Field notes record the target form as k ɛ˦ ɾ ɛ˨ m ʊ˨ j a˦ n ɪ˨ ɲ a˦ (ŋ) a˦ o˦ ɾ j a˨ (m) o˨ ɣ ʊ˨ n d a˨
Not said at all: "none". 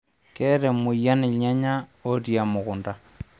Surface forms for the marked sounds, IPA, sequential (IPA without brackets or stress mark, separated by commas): ɲ, m